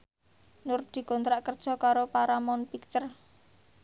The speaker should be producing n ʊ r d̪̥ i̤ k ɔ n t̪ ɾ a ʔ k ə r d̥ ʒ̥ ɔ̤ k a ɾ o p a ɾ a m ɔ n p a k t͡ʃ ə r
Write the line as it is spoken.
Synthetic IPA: n ʊ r d̪̥ i̤ k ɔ n t̪ ɾ a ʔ k ə r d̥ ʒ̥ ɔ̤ k a ɾ o p a ɾ a m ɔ n p i k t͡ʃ ə r